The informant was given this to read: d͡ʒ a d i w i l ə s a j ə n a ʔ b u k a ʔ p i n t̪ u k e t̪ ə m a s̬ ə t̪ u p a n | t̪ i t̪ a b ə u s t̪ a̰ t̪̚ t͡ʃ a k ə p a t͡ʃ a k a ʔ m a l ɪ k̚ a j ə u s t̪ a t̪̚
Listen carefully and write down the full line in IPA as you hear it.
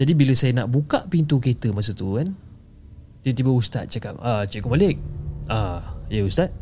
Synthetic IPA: d͡ʒ a d i b i l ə s a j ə n a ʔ b u k a ʔ p i n t̪ u k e t̪ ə m a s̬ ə t̪ u k a n | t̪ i t̪ i b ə u s t̪ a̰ t̪̚ t͡ʃ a k a p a t͡ʃ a k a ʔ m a l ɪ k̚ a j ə u s t̪ a t̪̚